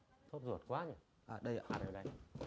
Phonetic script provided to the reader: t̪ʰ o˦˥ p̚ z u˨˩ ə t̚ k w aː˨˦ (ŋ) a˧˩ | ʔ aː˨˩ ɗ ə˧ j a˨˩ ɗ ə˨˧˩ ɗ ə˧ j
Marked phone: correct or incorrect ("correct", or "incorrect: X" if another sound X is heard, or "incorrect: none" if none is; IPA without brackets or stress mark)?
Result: incorrect: ɲ